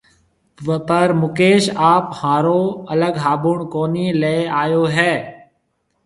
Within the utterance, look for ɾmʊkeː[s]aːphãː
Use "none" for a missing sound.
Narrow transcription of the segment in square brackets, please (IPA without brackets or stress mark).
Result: ʃ